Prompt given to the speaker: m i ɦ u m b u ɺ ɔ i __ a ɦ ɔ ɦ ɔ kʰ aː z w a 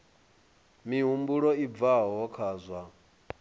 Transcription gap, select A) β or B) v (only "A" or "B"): B